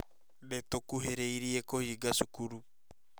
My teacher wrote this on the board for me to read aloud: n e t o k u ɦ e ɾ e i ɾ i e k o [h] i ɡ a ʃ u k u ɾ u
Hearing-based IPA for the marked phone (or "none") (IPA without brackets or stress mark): h